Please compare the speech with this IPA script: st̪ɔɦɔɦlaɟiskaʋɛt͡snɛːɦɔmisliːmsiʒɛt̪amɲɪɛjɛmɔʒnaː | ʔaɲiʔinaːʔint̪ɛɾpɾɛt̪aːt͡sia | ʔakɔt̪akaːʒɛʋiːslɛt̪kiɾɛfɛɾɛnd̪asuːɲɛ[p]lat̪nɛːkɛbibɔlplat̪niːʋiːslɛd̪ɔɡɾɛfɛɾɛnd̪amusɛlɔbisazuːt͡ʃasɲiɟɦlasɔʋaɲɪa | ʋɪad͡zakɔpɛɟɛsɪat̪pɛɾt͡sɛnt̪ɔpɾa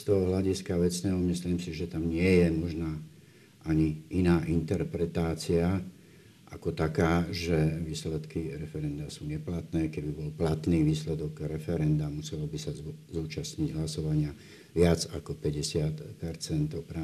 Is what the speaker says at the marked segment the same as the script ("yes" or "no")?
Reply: yes